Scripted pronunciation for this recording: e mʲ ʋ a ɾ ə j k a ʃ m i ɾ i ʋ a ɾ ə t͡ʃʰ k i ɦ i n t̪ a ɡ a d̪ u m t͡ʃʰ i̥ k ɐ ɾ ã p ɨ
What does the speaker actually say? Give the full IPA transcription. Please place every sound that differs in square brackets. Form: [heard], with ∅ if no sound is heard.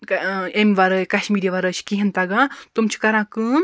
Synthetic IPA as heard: e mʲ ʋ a ɾ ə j k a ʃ m i ɾ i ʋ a ɾ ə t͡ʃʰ k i ɦ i n t̪ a ɡ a [t̪] u m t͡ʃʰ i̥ k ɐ ɾ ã [k] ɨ